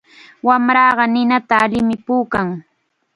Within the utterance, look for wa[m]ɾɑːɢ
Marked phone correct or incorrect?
correct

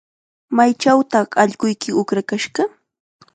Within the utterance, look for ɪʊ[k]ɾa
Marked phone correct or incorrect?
correct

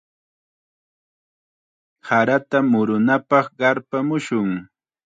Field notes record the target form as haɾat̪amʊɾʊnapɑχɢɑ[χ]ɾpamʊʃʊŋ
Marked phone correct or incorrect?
incorrect: none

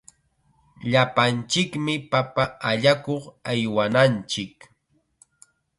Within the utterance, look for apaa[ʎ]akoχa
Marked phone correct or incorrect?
correct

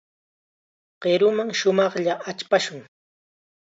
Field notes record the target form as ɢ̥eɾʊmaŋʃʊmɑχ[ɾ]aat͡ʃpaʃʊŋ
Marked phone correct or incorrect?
incorrect: ʎ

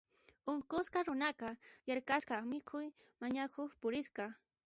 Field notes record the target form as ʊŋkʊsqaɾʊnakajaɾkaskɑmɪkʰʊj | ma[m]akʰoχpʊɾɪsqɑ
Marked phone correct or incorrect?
incorrect: ɲ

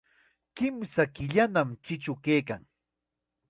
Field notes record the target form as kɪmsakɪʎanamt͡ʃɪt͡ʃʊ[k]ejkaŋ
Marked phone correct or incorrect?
correct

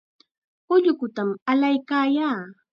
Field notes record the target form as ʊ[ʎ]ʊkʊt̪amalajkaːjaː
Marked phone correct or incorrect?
correct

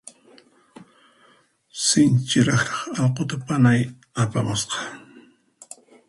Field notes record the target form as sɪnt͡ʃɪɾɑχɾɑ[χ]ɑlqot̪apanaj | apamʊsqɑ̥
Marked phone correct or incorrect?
correct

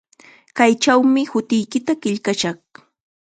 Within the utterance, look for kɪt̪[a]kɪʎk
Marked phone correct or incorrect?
correct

